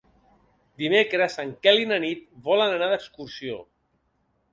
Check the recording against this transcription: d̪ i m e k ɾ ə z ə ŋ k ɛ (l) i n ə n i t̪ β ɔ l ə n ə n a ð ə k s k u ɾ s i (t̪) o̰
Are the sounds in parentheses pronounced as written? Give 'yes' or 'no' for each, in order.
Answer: yes, no

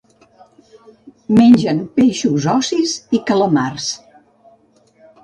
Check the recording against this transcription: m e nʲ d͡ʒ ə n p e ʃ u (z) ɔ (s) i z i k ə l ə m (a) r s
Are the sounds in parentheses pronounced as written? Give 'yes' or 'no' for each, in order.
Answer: yes, yes, yes

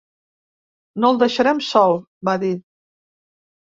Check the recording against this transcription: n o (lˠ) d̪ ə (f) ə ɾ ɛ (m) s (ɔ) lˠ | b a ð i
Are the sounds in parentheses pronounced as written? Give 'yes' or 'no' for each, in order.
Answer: yes, no, yes, yes

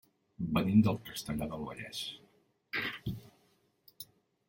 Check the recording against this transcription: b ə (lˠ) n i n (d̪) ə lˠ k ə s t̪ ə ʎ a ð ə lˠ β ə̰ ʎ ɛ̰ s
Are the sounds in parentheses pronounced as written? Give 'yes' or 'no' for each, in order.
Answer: no, yes

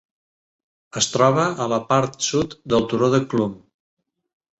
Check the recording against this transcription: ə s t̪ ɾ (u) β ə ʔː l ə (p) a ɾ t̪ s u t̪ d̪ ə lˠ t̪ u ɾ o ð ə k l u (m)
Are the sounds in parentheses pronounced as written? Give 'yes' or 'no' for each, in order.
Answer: no, yes, yes

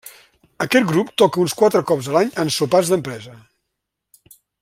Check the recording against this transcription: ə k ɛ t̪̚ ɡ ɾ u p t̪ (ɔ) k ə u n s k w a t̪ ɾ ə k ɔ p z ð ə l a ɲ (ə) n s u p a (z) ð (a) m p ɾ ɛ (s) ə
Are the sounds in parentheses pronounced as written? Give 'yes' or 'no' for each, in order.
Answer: yes, yes, yes, no, no

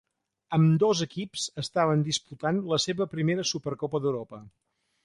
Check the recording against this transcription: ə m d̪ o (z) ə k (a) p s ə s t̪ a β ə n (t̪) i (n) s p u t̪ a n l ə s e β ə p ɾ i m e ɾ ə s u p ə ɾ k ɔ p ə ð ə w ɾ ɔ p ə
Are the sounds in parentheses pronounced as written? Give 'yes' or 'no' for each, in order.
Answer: yes, no, no, no

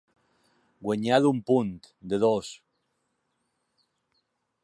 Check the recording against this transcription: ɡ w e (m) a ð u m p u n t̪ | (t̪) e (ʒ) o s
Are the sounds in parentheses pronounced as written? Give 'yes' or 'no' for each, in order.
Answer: no, no, no

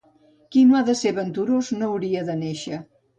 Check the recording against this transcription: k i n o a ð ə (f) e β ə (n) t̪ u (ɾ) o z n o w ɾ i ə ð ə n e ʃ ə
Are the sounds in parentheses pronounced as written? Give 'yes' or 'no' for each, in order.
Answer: no, yes, yes

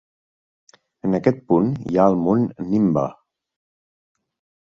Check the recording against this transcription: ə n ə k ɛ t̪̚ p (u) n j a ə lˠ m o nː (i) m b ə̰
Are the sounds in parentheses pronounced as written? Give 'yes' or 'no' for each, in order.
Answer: yes, yes

